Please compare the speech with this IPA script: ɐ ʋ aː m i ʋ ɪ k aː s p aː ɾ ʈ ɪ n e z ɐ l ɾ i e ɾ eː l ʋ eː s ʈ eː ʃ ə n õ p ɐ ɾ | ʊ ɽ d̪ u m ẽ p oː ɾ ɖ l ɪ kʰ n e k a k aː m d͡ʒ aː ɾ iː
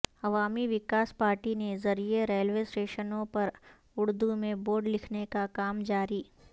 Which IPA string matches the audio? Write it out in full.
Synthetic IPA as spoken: ɐ ʋ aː m i ʋ ɪ k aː s p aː ɾ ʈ i n e z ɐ ɾ i e ɾ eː l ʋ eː s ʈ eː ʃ ə n õ p ɐ ɾ | ʊ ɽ d̪ u m ẽ b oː ɾ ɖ l ɪ kʰ n e k a k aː m d͡ʒ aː ɾ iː